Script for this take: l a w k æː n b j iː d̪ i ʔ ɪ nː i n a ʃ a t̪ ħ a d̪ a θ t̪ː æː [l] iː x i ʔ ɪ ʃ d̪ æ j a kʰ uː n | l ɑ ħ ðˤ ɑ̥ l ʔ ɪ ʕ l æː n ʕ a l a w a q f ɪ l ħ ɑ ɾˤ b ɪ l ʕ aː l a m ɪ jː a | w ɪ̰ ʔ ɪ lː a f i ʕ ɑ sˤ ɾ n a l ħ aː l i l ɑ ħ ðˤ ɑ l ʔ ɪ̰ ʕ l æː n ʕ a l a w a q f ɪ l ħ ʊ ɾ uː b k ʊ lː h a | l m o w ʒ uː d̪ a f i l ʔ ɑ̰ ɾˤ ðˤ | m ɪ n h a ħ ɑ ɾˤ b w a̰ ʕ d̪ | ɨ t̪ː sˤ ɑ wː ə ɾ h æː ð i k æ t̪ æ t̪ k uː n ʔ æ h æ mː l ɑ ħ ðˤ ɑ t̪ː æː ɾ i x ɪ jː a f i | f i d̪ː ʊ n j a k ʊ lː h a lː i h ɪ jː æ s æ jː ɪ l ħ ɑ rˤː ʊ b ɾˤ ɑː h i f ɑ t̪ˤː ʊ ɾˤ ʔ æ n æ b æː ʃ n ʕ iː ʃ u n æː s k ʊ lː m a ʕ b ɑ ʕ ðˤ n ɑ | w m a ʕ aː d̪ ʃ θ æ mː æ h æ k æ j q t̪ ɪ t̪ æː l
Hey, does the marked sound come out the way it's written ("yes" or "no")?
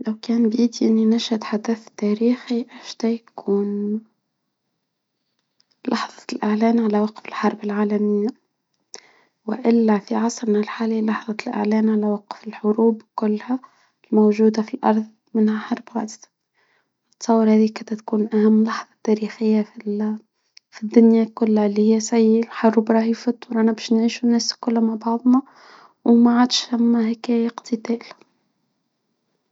no